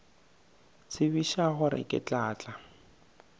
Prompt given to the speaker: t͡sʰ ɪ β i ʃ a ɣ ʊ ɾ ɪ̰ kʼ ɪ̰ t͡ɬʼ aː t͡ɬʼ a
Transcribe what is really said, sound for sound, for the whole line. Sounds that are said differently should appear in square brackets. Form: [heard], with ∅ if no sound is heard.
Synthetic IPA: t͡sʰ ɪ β i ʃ a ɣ ʊ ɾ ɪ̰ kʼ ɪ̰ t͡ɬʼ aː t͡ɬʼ a